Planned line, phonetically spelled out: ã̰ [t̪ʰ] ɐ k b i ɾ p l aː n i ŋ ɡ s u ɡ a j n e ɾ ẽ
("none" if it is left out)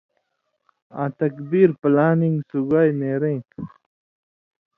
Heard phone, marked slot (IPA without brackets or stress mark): t̪